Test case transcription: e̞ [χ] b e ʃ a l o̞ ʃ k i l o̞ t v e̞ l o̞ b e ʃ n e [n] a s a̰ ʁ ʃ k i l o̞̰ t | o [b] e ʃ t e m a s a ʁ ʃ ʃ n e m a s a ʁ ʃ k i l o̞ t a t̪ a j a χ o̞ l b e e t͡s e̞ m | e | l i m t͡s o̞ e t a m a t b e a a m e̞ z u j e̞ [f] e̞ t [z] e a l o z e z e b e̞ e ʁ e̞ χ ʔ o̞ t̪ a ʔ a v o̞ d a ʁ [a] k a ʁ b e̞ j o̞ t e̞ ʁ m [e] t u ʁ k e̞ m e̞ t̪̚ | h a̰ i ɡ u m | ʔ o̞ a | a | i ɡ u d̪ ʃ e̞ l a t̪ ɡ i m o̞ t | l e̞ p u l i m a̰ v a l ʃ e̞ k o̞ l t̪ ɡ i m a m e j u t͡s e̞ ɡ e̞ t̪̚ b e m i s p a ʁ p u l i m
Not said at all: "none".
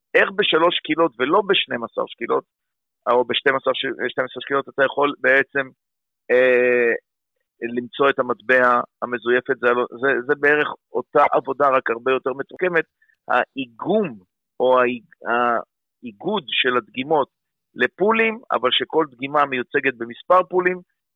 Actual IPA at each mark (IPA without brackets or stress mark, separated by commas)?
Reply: χ, m, b, f, z, a, e